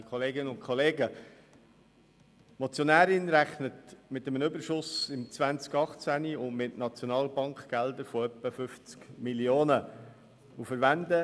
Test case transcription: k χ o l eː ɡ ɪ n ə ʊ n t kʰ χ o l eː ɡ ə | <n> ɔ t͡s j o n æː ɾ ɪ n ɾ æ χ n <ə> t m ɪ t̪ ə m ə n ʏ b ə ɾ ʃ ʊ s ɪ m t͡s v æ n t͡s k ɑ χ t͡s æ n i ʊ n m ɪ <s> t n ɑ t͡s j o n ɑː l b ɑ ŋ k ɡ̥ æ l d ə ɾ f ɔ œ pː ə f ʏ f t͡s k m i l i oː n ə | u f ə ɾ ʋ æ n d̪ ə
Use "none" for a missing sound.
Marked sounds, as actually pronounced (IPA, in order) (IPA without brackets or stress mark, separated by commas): m, ə, none